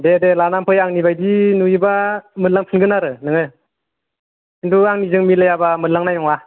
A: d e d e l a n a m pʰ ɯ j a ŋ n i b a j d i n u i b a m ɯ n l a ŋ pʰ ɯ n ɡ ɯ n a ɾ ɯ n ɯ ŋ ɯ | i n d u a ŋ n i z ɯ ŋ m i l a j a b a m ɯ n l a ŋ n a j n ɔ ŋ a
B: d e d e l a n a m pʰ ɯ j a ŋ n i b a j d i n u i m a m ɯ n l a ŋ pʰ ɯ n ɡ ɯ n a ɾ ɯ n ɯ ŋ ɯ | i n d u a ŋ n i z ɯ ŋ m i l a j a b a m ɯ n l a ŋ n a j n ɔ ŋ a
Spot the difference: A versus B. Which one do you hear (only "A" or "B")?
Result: A